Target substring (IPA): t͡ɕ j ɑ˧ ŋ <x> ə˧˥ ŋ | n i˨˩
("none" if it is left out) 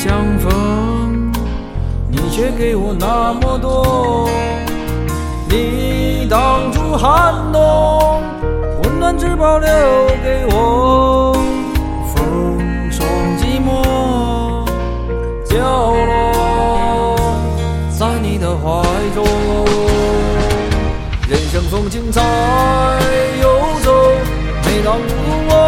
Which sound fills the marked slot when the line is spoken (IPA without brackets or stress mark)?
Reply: f